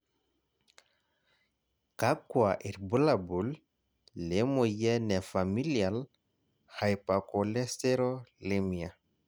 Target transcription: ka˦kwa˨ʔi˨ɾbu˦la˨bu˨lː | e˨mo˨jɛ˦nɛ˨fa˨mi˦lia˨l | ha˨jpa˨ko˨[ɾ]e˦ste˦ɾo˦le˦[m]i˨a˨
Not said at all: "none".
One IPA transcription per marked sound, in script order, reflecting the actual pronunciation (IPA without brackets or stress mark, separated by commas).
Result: l, m